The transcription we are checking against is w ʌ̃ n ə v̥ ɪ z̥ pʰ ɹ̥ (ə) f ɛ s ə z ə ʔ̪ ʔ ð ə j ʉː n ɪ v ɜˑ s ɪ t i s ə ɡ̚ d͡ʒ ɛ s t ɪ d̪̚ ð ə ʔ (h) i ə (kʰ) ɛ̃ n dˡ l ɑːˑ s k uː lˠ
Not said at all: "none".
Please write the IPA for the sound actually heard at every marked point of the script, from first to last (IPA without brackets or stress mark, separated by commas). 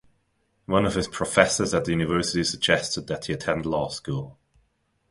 ə, h, tʰ